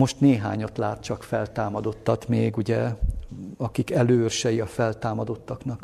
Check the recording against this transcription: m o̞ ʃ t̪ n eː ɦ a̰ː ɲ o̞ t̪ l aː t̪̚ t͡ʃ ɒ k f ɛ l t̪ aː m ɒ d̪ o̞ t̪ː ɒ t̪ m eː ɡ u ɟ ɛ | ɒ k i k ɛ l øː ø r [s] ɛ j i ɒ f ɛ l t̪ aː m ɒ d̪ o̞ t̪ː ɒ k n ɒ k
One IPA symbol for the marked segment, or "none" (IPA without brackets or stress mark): ʃ